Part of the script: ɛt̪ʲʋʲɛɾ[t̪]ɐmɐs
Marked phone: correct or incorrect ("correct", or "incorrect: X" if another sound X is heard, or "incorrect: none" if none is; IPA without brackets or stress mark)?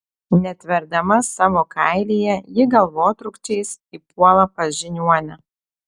incorrect: d̪